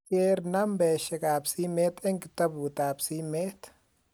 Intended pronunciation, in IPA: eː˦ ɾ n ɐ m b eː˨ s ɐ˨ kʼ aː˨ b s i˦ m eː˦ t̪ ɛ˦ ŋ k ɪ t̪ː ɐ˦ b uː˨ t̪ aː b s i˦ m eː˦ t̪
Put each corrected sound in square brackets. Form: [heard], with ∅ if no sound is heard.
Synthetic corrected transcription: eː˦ ɾ n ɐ m b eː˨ [ʃ] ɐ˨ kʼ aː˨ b s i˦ m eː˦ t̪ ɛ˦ ŋ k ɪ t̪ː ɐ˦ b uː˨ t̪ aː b s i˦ m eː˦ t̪